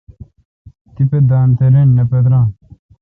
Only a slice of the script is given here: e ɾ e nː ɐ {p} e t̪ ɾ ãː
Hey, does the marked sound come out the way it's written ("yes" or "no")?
yes